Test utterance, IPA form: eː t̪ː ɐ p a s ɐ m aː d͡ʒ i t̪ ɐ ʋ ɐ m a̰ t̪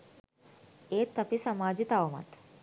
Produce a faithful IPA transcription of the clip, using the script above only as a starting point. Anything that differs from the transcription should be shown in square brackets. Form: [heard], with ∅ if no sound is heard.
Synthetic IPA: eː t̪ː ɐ p [i] s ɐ m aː d͡ʒ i t̪ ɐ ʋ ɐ m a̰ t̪